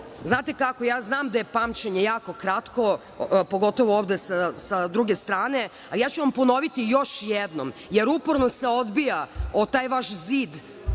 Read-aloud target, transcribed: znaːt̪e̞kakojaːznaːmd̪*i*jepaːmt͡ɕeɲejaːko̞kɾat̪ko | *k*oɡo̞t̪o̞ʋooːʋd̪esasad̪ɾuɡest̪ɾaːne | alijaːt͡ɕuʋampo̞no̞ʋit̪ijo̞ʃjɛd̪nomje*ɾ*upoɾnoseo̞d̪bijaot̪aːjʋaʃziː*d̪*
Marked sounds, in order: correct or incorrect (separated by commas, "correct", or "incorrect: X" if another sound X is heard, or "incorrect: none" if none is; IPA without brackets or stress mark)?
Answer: incorrect: a, incorrect: p, correct, correct